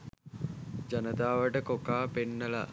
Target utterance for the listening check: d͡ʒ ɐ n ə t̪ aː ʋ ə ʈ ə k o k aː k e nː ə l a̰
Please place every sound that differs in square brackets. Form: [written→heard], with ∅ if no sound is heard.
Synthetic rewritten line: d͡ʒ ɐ n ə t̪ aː ʋ ə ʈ ə k o k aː [k→p] e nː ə l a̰

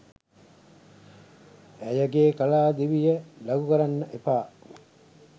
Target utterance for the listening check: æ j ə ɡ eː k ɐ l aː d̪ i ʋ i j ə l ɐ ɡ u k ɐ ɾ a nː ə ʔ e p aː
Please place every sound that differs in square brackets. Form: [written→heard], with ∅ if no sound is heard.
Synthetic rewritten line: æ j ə ɡ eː k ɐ l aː d̪ i ʋ i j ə l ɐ ɡ u k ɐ ɾ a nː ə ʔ e p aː

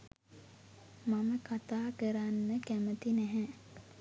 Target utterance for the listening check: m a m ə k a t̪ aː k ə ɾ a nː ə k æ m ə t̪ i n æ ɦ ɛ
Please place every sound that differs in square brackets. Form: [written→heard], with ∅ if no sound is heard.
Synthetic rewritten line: m a m ə k a t̪ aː k ə ɾ a nː ə k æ m ə t̪ i n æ ɦ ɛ

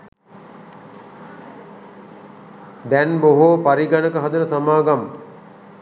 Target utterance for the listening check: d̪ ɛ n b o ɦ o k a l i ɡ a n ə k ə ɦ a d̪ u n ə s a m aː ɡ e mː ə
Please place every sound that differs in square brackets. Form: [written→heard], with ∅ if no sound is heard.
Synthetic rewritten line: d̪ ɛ n b o ɦ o [k→p] a [l→ɾ] i ɡ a n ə k ə ɦ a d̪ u n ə s a m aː ɡ [e→a] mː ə

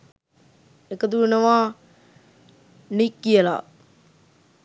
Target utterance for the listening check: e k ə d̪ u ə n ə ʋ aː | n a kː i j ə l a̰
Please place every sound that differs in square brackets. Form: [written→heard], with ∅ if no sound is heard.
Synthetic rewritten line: e k ə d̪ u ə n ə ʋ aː | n [a→i] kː i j ə l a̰

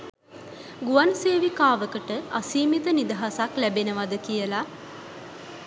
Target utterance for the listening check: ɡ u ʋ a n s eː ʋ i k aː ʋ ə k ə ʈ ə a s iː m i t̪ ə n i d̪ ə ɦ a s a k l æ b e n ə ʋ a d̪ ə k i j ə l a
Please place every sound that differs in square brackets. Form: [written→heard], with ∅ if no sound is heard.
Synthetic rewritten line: ɡ u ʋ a n s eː ʋ i k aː ʋ ə k ə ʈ ə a s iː m i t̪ ə n i d̪ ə ɦ a s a k l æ b e n ə ʋ a d̪ ə k i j ə l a

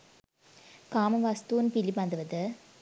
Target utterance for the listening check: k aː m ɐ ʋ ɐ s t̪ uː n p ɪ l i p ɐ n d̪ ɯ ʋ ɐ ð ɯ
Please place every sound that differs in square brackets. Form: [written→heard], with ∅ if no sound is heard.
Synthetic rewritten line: k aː m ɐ ʋ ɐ s t̪ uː n p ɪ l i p ɐ n d̪ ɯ ʋ ɐ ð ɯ

